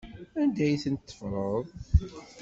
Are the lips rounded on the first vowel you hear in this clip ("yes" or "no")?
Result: no